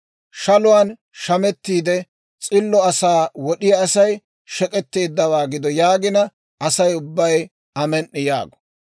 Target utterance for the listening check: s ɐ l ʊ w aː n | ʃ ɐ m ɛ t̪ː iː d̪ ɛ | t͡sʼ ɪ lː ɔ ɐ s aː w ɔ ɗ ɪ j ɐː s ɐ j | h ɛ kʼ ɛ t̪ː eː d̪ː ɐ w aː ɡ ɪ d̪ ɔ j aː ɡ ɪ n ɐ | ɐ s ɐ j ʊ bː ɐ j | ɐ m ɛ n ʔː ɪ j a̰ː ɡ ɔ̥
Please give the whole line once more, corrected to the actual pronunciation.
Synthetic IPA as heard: ʃ ɐ l ʊ w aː n | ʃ ɐ m ɛ t̪ː iː d̪ ɛ | t͡sʼ ɪ lː ɔ ɐ s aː w ɔ ɗ ɪ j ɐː s ɐ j | ʃ ɛ kʼ ɛ t̪ː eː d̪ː ɐ w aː ɡ ɪ d̪ ɔ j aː ɡ ɪ n ɐ | ɐ s ɐ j ʊ bː ɐ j | ɐ m ɛ n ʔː ɪ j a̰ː ɡ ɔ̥